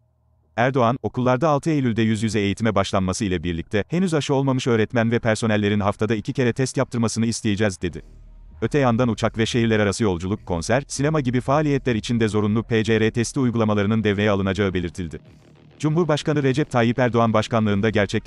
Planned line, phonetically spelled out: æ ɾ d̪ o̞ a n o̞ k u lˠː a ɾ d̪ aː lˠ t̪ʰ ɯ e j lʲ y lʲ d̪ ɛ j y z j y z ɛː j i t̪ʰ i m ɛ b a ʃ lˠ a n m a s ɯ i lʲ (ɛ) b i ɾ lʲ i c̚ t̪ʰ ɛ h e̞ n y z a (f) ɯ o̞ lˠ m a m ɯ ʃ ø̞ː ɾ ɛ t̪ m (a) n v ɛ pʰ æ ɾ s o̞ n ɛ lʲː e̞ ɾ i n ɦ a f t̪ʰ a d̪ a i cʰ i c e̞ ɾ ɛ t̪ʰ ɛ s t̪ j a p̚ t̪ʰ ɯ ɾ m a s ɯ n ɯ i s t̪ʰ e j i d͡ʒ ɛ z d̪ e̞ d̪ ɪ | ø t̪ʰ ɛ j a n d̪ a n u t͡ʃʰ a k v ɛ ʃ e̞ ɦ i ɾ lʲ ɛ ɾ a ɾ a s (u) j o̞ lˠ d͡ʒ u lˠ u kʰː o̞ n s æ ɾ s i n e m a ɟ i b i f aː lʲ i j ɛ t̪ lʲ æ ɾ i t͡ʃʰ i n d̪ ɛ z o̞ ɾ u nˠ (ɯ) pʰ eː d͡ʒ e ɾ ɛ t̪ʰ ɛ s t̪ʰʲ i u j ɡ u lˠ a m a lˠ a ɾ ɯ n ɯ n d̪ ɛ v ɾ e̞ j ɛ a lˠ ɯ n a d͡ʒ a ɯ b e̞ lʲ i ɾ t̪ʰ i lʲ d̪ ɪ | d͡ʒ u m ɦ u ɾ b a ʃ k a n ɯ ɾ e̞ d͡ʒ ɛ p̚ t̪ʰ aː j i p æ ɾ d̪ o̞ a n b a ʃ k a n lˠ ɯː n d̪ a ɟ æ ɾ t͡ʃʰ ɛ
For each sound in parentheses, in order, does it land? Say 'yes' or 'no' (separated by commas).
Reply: yes, no, no, no, no